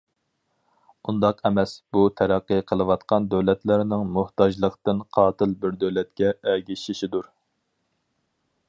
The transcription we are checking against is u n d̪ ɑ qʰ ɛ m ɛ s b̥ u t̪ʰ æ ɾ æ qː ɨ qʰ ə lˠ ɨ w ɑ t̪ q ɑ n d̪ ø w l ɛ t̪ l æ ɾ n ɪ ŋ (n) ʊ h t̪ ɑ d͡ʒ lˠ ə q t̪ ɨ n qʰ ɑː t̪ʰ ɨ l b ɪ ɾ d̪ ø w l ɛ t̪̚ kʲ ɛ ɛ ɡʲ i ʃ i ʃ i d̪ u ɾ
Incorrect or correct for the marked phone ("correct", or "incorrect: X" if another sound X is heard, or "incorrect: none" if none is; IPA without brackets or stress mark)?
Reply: incorrect: m